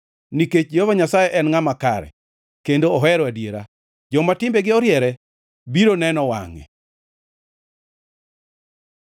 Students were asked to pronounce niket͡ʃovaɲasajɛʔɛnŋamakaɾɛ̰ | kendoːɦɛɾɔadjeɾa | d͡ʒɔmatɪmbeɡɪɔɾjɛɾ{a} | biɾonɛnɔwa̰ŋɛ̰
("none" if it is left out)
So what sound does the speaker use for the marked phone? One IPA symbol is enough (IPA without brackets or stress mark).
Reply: ɛ